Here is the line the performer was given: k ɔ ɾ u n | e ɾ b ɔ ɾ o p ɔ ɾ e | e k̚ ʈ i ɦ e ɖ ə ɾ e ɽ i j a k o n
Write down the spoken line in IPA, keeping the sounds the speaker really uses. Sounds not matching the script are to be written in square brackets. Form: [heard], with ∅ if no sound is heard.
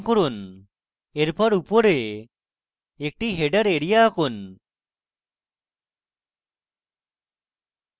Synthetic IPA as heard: k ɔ ɾ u n | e ɾ [p] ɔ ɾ [u] p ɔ ɾ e | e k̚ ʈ i ɦ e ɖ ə ɾ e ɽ i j a k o n